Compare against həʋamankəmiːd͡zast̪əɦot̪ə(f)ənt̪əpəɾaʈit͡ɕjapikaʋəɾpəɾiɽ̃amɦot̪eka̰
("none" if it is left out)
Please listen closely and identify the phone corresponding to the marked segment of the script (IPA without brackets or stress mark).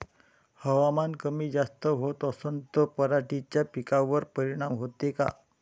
s